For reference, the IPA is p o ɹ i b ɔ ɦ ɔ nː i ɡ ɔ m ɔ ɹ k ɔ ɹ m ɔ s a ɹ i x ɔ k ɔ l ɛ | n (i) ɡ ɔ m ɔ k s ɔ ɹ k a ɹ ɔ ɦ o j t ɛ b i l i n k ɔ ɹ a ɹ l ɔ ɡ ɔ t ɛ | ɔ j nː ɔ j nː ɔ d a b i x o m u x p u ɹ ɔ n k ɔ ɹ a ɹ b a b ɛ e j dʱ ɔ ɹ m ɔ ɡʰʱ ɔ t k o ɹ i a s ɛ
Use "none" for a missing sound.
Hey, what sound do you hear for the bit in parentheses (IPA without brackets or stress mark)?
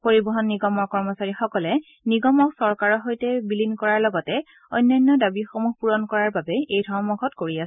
i